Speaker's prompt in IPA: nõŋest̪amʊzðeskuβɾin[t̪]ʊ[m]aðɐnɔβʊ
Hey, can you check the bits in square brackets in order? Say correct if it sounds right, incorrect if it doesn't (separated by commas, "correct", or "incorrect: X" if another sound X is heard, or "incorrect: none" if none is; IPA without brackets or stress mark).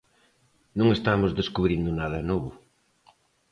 incorrect: d̪, incorrect: n